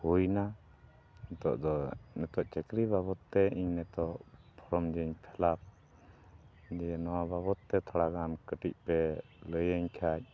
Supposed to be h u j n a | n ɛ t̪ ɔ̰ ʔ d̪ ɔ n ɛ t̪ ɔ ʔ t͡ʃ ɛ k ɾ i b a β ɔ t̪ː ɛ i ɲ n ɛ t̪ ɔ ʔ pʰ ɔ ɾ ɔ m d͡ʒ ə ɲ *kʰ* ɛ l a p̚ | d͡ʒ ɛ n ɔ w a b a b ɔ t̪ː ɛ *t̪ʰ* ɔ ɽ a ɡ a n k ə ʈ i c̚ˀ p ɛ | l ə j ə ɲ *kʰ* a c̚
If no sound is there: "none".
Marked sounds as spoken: pʰ, t̪ʰ, kʰ

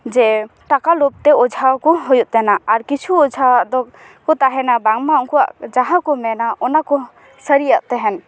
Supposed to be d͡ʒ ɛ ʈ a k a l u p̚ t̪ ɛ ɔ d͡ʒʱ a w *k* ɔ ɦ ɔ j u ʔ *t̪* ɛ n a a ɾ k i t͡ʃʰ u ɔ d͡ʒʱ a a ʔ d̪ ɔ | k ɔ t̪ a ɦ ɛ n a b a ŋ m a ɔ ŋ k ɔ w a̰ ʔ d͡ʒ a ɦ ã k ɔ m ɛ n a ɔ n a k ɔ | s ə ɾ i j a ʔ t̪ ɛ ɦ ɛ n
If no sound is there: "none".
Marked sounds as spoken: k, t̪

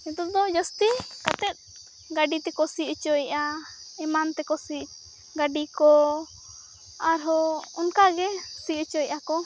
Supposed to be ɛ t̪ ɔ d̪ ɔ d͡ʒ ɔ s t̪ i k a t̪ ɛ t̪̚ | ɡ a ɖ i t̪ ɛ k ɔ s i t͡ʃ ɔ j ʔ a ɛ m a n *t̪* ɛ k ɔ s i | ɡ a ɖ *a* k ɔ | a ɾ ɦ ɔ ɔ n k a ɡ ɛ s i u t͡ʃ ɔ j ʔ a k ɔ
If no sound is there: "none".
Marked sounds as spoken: t̪, i

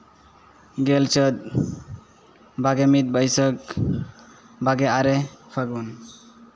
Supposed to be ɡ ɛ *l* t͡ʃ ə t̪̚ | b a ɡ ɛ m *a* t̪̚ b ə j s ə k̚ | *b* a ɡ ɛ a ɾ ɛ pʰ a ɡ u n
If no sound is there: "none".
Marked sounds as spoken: l, i, b

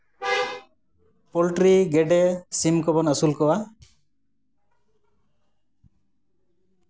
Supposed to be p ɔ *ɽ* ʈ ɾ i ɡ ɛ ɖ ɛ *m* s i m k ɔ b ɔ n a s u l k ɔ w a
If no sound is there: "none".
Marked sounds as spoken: l, none

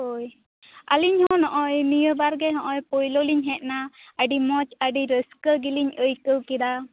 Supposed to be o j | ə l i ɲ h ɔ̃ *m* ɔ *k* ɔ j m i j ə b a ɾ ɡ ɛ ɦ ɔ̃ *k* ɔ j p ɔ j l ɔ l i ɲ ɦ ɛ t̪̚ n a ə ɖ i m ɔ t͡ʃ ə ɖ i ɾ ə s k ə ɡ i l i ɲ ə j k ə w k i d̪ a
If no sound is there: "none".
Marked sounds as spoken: n, ʔ, ʔ

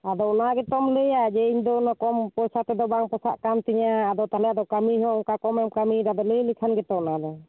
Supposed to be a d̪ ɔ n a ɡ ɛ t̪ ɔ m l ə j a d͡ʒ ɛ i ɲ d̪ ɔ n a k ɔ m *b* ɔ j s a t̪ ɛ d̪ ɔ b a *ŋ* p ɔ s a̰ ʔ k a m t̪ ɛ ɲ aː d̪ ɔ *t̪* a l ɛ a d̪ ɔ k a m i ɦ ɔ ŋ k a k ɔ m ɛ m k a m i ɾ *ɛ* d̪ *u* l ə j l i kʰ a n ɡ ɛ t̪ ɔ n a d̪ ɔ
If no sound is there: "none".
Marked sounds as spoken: p, ŋ, t̪, a, ɔ

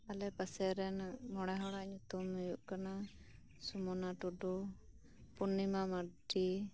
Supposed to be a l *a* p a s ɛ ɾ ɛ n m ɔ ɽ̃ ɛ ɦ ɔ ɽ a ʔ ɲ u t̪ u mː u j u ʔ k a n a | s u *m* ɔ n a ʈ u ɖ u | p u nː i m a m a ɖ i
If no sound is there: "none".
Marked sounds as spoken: ɛ, m

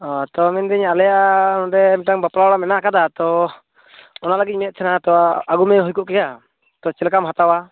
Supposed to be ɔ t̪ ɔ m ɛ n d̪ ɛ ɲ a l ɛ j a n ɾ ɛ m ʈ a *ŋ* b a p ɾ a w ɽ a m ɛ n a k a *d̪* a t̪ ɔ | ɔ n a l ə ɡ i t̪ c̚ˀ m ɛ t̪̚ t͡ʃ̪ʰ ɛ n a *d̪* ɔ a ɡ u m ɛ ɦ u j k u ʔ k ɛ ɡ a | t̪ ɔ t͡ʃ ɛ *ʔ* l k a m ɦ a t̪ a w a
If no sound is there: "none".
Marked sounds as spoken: ŋ, d̪, t̪, none

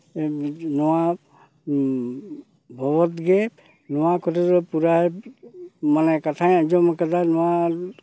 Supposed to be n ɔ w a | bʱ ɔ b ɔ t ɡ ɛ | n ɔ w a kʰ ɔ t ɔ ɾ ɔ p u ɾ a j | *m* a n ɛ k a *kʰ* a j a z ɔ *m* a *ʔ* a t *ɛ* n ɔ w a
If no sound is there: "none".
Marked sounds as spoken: m, tʰ, m, k, a

